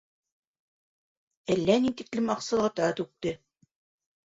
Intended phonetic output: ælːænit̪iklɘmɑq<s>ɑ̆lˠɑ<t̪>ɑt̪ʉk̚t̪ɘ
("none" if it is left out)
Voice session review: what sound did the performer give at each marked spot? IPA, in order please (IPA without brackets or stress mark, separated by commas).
s, t̪